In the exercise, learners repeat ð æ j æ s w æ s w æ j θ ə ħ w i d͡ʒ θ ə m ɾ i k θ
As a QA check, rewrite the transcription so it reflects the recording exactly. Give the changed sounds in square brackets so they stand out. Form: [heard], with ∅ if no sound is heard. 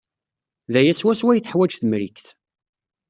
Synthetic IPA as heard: ð æ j æ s w æ s w æ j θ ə ħ w [æ] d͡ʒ θ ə m ɾ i k θ